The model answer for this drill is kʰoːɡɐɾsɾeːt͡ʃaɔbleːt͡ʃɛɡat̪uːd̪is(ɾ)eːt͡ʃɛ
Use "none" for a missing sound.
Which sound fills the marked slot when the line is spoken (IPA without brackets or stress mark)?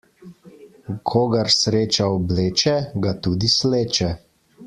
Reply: l